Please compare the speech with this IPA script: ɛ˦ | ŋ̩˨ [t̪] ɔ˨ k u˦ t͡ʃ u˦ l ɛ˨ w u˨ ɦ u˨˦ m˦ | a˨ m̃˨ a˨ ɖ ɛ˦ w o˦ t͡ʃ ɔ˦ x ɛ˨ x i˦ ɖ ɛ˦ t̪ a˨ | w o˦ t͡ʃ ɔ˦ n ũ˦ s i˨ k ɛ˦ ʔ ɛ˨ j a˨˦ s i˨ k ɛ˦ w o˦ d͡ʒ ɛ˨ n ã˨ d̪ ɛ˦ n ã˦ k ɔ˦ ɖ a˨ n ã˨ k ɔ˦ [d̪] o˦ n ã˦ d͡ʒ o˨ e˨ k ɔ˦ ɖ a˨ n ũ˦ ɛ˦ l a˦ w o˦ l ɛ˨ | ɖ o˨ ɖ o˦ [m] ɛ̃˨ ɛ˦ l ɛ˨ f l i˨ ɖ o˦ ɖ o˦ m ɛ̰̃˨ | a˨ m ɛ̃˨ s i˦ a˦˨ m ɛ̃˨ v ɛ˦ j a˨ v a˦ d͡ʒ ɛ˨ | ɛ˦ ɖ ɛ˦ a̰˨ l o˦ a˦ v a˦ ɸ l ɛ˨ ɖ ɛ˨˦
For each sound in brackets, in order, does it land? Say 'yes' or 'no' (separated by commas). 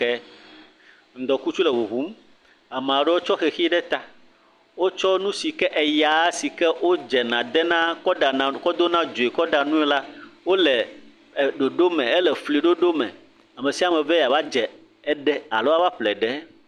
no, yes, yes